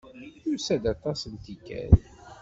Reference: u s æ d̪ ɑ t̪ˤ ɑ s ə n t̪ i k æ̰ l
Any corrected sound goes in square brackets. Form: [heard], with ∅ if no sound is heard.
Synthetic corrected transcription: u s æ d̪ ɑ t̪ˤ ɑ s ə n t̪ i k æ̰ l